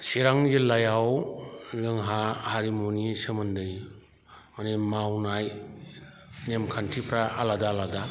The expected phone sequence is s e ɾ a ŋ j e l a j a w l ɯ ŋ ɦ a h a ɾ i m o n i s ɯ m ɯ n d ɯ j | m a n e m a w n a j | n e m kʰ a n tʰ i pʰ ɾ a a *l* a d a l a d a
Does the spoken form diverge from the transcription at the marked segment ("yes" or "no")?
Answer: no